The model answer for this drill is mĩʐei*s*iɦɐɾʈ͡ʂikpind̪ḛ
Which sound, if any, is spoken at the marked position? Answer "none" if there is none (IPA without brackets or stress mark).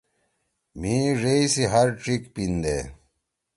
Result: s